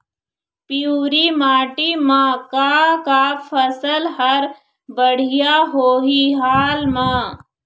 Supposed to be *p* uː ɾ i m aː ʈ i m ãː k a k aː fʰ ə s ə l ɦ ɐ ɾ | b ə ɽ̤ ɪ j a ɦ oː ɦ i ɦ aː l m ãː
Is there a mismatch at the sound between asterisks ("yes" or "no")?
no